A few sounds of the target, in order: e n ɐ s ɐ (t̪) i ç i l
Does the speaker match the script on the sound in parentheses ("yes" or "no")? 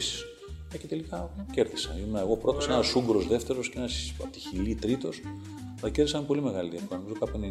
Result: yes